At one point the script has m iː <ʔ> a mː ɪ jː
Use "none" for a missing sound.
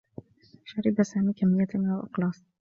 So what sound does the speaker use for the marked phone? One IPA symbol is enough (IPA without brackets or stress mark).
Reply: k